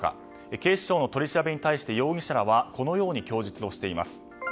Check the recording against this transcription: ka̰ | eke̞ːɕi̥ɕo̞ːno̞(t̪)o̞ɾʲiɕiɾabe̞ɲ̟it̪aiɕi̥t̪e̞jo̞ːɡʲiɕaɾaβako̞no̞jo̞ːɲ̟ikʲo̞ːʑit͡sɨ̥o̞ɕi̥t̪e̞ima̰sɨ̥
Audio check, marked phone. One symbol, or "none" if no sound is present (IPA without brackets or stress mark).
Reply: t̪